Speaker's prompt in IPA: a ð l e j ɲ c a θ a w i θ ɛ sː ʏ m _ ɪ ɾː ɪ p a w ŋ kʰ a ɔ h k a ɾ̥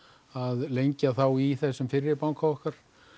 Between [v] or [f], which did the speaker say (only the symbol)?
f